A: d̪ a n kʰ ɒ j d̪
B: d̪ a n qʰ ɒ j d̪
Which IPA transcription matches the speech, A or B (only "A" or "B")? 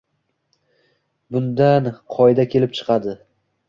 B